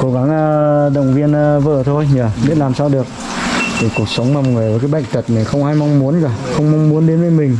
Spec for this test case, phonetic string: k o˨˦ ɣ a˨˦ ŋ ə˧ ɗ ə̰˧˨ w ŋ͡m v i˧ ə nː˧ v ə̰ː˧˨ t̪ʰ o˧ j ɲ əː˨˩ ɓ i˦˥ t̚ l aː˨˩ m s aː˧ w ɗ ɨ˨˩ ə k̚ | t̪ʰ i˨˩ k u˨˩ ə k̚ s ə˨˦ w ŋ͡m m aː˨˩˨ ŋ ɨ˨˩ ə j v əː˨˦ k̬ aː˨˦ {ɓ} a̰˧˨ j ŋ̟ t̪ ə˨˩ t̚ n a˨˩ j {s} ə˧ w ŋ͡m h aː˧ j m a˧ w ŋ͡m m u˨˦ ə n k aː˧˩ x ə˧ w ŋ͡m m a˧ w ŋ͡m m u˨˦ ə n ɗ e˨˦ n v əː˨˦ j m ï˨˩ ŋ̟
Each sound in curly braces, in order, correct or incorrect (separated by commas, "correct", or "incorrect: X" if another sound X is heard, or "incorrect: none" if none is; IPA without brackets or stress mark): correct, incorrect: x